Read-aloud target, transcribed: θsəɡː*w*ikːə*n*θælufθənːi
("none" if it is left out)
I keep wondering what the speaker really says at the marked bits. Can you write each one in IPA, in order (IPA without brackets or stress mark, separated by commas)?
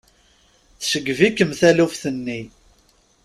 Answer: v, m